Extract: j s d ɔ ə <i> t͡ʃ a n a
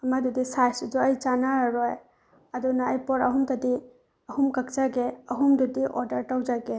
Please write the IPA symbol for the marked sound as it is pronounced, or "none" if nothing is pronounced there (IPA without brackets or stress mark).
j